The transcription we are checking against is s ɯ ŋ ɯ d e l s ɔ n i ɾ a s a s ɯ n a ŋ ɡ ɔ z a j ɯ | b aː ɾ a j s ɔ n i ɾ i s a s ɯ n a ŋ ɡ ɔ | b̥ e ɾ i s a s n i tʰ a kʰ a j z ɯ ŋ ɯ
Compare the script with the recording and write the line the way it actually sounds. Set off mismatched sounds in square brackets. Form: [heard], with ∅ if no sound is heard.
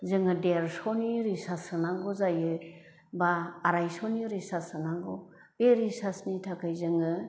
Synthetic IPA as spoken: [z] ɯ ŋ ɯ d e [ɾ] s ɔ n i ɾ [i] s a s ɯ n a ŋ ɡ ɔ z a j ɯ | b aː ɾ a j s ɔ n i ɾ i s a s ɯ n a ŋ ɡ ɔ | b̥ e ɾ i s a s n i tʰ a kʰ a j z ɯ ŋ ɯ